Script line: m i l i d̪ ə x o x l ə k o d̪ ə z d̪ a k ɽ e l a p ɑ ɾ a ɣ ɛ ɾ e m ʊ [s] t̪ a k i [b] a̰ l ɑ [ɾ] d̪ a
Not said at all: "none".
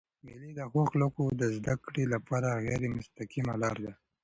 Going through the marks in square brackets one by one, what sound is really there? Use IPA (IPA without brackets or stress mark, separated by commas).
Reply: s, m, ɾ